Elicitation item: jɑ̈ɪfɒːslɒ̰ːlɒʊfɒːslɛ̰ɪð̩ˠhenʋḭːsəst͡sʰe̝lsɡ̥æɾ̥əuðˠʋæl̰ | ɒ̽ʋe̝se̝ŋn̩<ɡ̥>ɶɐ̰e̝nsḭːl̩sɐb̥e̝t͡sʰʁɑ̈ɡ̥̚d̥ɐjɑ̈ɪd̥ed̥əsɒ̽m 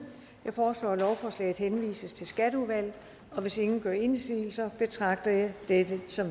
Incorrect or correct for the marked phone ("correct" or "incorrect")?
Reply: correct